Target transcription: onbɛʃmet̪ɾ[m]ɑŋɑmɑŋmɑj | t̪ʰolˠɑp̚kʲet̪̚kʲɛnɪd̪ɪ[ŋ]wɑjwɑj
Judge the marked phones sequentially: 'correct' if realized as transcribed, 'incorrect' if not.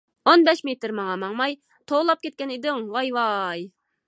correct, correct

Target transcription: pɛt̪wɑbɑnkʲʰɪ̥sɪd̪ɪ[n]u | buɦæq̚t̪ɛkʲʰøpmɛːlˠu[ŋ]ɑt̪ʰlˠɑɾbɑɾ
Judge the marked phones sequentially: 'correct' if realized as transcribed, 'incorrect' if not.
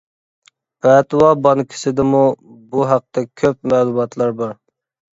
incorrect, incorrect

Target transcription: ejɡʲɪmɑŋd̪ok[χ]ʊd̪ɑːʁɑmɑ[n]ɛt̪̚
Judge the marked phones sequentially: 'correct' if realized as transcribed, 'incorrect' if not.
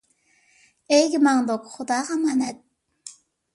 correct, correct

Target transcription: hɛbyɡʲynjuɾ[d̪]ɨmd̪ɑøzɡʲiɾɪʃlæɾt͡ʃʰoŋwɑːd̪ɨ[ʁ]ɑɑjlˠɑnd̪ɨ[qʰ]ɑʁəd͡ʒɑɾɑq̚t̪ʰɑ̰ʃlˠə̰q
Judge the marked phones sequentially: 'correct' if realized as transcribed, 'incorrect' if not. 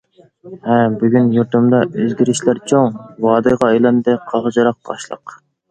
incorrect, correct, correct

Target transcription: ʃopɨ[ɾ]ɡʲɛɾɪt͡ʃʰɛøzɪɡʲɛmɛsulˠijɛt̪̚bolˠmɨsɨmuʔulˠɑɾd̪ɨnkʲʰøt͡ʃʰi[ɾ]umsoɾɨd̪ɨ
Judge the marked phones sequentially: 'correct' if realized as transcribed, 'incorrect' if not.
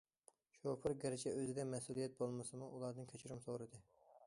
correct, correct

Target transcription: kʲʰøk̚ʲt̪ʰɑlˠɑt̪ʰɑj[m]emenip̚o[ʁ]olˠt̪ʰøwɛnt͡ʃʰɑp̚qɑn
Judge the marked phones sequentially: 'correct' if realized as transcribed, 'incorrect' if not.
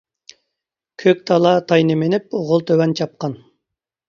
incorrect, correct

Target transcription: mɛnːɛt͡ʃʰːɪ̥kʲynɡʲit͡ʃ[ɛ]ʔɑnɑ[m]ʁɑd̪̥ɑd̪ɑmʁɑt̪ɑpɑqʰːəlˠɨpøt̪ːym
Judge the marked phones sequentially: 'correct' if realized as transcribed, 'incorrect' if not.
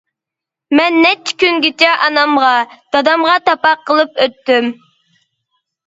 correct, correct

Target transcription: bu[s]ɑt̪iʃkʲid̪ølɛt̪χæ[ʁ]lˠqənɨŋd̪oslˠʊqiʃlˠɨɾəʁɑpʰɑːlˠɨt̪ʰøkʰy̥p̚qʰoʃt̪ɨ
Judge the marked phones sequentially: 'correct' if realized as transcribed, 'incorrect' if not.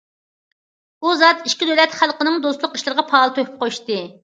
incorrect, incorrect

